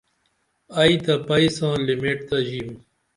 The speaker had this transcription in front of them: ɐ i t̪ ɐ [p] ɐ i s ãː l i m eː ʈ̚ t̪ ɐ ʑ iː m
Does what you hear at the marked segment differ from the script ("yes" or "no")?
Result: no